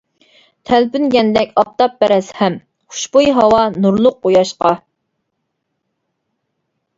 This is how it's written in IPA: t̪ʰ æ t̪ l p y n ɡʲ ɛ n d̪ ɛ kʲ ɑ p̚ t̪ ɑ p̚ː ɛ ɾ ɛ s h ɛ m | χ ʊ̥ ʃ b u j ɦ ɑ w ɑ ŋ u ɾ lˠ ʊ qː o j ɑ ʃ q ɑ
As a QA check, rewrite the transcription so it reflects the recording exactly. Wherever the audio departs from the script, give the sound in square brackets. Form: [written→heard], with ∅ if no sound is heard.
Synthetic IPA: t̪ʰ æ [t̪→∅] l p y n ɡʲ ɛ n d̪ ɛ kʲ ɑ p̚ t̪ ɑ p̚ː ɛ ɾ ɛ s h ɛ m | χ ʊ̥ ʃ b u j ɦ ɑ w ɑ [ŋ→n] u ɾ lˠ ʊ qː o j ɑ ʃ q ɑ